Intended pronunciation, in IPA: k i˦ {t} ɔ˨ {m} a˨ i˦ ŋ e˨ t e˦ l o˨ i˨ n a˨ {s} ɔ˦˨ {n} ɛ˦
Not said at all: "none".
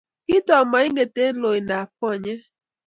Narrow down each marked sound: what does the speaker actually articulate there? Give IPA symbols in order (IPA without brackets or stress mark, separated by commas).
t, m, f, ɲ